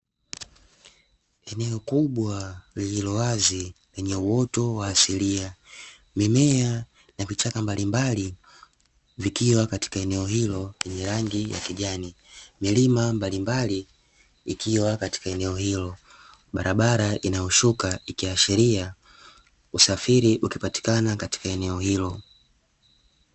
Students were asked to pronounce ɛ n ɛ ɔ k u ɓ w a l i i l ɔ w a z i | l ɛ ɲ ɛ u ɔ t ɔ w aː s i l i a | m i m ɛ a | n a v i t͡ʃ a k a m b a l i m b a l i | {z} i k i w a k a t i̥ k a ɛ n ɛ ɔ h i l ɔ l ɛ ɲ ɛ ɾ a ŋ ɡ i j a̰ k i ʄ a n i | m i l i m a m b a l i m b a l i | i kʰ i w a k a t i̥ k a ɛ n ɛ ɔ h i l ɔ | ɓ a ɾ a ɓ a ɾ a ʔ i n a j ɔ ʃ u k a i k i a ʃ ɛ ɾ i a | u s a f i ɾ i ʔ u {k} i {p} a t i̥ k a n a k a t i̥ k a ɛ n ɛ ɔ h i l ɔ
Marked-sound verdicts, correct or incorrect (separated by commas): incorrect, correct, correct